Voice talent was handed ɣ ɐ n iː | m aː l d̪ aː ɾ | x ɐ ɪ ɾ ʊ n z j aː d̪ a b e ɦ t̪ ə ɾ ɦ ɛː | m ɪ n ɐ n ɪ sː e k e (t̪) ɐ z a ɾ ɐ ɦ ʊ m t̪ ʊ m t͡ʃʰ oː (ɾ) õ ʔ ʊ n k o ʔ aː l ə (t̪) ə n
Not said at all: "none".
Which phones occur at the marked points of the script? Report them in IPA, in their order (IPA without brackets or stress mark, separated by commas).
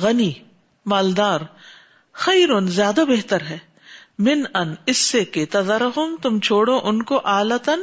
t̪, ɽ, t̪